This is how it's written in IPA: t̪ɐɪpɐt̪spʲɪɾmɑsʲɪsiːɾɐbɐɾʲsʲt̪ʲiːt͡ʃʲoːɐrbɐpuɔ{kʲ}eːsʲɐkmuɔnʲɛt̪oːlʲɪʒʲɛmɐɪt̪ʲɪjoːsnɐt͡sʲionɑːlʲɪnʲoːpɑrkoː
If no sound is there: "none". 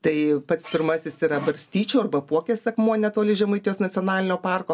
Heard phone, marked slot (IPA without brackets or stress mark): kʲ